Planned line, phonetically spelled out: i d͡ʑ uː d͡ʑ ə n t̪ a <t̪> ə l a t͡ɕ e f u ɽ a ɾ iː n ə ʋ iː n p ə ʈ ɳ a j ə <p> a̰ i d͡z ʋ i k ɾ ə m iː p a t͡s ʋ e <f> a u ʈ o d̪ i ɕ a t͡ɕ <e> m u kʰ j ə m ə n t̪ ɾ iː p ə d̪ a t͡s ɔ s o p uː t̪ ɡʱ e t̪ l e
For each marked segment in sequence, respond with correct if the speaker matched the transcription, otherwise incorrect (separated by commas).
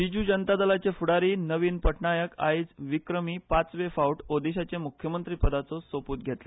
incorrect, incorrect, correct, correct